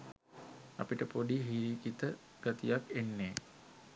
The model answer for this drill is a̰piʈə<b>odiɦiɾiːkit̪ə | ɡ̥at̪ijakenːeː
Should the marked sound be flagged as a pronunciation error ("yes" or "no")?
yes